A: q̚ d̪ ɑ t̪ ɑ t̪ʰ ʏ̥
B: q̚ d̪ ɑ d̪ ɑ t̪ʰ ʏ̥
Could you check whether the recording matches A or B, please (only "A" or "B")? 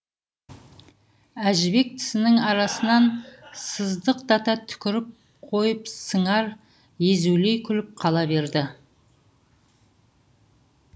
A